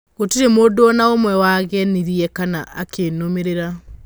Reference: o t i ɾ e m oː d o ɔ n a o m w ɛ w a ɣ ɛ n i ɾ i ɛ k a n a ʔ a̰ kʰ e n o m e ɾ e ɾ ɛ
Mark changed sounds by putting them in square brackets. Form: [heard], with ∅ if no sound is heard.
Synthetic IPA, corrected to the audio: o t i ɾ e m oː d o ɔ n a o m w ɛ w a ɣ ɛ n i ɾ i ɛ k a n a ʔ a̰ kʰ e n o m e ɾ e ɾ [a]